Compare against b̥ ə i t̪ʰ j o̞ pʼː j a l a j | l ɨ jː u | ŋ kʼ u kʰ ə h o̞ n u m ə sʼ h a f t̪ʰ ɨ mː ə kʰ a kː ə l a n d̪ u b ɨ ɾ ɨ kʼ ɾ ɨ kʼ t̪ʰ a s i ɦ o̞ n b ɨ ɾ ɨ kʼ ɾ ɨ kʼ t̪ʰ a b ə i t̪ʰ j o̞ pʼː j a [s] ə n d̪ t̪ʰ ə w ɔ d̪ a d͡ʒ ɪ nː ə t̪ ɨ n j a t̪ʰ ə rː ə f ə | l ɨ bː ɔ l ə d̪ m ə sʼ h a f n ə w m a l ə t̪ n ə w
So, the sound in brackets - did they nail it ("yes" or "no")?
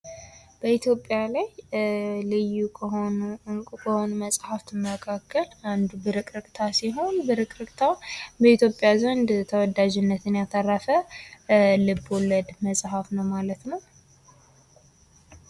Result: no